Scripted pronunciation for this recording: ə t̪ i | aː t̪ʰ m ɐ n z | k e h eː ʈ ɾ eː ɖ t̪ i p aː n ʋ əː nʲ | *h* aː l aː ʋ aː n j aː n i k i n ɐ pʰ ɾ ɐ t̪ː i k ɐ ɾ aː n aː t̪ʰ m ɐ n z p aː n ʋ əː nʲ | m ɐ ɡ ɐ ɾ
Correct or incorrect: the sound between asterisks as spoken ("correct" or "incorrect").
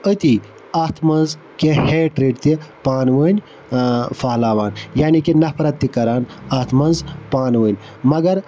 incorrect